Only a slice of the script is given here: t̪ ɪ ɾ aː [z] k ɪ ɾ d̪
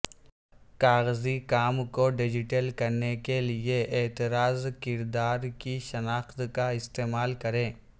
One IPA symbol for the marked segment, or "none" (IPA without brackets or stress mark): z